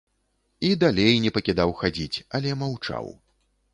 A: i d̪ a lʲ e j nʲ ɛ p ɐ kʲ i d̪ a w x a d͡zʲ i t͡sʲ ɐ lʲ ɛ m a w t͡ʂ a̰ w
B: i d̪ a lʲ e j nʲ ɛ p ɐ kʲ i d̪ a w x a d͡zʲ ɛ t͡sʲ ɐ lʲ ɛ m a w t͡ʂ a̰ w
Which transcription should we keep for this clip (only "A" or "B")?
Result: A